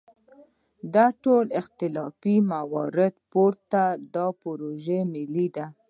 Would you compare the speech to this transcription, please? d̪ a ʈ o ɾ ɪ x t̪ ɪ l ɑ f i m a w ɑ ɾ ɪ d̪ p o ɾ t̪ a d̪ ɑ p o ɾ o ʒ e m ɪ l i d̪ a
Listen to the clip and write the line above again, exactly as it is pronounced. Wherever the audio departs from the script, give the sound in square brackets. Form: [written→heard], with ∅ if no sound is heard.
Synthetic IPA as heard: d̪ a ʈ o [ɾ→l] ɪ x t̪ ɪ l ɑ f i m a w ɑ ɾ ɪ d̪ p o ɾ t̪ a d̪ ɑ p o ɾ o ʒ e m ɪ l i d̪ a